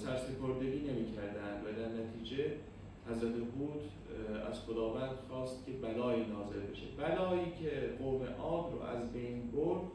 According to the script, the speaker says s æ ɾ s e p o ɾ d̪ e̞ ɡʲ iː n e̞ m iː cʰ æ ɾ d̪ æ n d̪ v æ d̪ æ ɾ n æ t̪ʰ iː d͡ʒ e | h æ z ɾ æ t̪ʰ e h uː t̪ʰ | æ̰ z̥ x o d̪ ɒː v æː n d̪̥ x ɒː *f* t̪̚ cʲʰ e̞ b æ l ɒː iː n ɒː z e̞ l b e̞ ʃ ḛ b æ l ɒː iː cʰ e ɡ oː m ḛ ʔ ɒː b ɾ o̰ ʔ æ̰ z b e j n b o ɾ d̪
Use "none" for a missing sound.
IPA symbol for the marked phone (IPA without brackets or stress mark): s